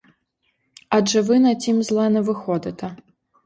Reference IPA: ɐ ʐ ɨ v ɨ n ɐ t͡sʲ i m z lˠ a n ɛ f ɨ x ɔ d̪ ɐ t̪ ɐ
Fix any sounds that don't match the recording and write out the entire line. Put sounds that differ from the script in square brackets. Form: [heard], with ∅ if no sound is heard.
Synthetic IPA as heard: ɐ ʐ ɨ v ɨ n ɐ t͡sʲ i m z lˠ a n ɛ [v] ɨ x ɔ d̪ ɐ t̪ ɐ